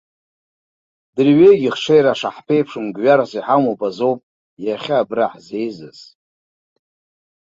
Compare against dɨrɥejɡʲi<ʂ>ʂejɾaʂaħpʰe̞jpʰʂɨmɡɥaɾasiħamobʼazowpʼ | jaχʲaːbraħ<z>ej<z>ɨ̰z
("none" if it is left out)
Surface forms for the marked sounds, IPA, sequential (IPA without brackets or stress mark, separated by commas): χ, z, z